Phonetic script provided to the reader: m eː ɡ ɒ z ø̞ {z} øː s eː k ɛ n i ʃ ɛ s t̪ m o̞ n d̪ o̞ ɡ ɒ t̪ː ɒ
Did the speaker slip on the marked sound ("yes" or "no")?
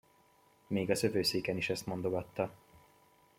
yes